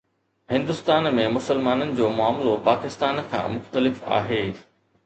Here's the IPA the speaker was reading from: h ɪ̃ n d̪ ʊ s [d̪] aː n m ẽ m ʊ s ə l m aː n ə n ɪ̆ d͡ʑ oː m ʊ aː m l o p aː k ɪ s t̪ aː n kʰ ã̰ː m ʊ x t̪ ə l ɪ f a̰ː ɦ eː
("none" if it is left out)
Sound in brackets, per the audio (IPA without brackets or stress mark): t̪